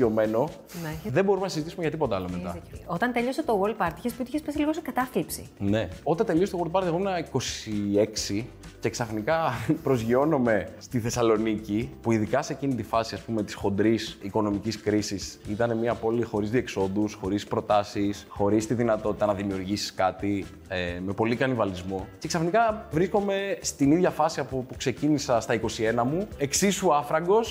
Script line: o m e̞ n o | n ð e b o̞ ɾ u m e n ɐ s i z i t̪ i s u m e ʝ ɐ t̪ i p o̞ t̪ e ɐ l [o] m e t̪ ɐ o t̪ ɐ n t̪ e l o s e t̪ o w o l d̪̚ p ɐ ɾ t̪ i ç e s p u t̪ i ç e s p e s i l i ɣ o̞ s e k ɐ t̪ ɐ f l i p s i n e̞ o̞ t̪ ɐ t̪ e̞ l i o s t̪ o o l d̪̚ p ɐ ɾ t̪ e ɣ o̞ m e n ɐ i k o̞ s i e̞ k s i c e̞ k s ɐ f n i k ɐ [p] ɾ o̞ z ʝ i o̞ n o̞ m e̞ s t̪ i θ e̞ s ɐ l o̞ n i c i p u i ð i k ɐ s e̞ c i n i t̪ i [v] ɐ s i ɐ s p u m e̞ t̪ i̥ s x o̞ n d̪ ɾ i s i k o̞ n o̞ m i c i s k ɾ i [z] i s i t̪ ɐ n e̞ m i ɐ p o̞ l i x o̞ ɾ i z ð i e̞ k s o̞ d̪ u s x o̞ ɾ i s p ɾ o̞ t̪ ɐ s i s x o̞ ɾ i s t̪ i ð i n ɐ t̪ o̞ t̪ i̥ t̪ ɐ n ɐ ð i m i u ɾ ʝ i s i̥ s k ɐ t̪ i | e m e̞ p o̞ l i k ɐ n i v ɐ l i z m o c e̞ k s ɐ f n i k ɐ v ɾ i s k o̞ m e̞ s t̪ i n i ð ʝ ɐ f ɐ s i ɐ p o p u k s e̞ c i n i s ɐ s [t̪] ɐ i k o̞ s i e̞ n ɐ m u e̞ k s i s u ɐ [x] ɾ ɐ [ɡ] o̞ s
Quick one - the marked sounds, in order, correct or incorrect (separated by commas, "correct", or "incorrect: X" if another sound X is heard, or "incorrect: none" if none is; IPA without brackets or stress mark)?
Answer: correct, correct, incorrect: f, incorrect: s, correct, incorrect: f, correct